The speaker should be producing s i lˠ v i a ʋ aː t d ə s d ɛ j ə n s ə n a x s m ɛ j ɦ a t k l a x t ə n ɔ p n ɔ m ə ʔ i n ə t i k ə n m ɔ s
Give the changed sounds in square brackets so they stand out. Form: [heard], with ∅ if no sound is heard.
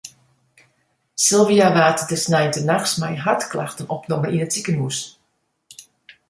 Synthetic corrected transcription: s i lˠ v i a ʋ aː t d ə s [n] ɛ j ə n [t] ə n a x s m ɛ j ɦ a t k l a x t ə n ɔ p n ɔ m ə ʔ i n ə t i k ə n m [u] s

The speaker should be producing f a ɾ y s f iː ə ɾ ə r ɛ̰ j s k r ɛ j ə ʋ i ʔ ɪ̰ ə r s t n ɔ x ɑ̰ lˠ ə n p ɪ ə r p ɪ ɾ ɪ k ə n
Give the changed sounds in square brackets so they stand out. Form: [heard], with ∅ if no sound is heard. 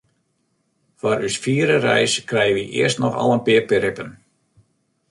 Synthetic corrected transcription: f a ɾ y s f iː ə ɾ ə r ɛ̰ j s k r ɛ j ə ʋ i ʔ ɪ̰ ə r s t n ɔ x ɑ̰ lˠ ə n p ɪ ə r p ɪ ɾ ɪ [p] ə n

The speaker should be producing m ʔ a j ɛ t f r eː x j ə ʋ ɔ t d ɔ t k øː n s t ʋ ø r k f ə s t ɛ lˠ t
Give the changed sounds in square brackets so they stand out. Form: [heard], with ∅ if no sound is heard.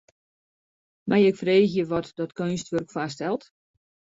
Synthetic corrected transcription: m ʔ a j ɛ [k] f r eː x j ə ʋ ɔ t d ɔ t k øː n s t ʋ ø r k f [a] s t ɛ lˠ t

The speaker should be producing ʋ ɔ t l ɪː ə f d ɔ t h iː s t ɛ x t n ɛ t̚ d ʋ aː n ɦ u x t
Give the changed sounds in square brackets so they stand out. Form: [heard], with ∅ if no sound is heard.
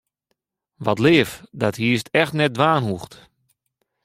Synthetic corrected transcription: ʋ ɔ t l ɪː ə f d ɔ t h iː s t ɛ x t n ɛ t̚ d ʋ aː n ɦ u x t

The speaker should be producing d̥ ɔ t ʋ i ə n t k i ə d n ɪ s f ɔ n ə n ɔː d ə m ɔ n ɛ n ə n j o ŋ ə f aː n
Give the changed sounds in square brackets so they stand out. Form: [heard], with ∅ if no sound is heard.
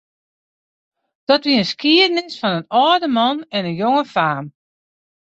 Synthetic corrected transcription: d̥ ɔ t ʋ i ə n [s] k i ə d n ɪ s f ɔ n ə n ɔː d ə m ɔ n ɛ n ə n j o ŋ ə f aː [m]

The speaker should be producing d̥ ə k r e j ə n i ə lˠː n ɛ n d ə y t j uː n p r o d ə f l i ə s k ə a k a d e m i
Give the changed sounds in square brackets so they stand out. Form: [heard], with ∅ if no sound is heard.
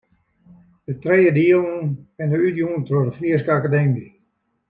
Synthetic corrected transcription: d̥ ə [t] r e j ə [d] i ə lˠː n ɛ n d ə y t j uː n [t] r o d ə f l i ə s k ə a k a d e m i

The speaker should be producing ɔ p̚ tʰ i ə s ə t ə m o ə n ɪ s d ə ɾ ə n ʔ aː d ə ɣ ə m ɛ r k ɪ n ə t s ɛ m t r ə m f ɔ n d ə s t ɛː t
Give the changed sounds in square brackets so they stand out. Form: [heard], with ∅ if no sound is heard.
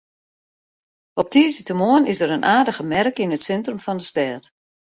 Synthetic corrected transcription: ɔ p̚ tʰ i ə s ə t ə m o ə n ɪ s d ə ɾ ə n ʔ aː d ə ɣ ə m ɛ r k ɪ n ə t s ɛ [n] t r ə m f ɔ n d ə s t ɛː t

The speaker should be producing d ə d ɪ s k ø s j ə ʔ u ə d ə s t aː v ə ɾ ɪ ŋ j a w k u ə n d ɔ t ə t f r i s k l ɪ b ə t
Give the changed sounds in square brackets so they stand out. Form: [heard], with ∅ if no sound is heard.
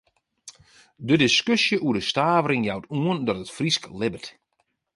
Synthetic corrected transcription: d ə d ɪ s k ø s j ə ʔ u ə d ə s t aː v ə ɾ ɪ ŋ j a w [t] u ə n d ɔ t ə t f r i s k l ɪ b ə t

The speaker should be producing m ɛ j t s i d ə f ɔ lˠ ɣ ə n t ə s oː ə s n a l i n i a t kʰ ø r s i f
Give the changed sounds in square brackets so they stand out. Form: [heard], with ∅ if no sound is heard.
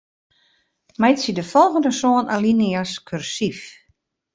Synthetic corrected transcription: m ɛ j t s i d ə f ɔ lˠ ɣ ə n [d] ə s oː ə [∅] n a l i n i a [s] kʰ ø r s i f

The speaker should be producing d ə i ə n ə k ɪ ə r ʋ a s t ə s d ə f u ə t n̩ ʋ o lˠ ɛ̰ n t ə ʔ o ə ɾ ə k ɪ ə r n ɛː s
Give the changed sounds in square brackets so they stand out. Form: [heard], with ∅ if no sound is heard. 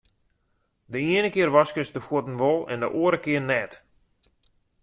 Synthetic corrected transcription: d ə i ə n ə k ɪ ə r ʋ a s [k] ə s d ə f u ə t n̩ ʋ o lˠ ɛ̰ n [d] ə ʔ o ə ɾ ə k ɪ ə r n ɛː [t]

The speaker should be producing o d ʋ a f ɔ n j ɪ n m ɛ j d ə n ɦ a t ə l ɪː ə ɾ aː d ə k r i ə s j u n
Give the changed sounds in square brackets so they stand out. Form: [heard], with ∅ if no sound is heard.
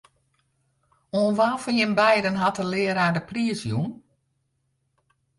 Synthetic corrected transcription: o [n] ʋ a f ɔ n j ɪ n [b] ɛ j d ə n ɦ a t ə l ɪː ə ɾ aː d ə [p] r i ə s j u n

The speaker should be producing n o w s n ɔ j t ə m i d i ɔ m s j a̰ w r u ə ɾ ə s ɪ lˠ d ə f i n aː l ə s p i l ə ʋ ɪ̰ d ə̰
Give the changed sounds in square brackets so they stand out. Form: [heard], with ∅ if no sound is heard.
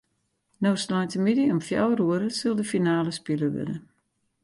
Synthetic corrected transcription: n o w s n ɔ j t ə m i d i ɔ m [f] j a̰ w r u ə ɾ ə s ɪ lˠ d ə f i n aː l ə s p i l ə ʋ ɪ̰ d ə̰

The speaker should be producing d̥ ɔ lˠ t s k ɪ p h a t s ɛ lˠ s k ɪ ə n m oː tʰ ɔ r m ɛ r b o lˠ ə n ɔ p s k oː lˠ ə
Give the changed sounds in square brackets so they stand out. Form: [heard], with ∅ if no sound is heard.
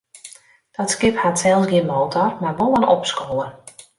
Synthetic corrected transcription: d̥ ɔ [∅] t s k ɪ p h a t s ɛ lˠ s [ɡ] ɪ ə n m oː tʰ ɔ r m [a] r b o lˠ ə n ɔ p s k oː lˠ ə

